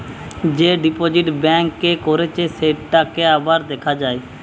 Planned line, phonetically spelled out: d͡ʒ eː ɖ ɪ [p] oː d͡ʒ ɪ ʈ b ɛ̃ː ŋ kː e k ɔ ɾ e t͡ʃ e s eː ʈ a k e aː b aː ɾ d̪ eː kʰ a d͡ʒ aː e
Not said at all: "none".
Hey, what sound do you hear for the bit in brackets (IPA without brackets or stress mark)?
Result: p